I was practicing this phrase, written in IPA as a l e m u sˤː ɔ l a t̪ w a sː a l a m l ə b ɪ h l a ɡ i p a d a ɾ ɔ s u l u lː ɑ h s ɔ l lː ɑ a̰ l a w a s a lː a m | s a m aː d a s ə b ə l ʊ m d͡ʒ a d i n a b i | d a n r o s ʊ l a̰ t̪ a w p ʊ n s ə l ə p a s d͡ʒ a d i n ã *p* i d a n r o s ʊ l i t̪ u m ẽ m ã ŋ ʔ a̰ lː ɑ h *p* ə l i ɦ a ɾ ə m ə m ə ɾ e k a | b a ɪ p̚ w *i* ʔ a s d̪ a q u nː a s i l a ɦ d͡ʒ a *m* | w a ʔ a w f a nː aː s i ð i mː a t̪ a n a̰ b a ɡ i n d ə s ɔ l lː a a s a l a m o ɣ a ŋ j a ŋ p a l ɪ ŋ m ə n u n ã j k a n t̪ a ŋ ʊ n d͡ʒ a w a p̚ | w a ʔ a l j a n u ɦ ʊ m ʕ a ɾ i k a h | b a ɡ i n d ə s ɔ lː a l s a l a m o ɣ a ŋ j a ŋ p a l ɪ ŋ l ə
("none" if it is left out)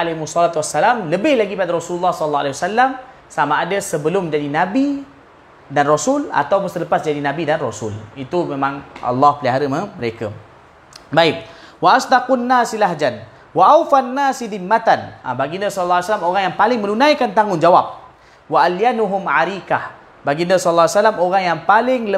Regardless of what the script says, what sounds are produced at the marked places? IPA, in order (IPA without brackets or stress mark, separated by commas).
b, p, a, n